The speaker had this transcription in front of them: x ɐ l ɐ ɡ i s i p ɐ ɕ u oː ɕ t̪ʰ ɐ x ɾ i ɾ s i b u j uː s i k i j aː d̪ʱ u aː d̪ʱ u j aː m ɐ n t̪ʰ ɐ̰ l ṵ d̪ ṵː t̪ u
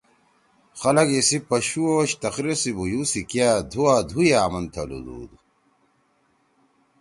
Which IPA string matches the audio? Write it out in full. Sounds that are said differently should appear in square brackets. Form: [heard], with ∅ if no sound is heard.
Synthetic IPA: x ɐ l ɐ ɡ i s i p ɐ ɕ u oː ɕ [t̪] ɐ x ɾ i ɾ s i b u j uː s i k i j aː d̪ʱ u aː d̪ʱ u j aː m ɐ n t̪ʰ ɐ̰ l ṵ d̪ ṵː [d̪] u